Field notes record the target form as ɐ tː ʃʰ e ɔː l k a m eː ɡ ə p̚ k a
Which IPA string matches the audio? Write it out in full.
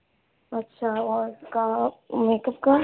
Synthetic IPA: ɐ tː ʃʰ a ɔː ɾ k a m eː k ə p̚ k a